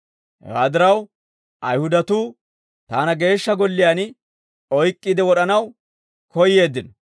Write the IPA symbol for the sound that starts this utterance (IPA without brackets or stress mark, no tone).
h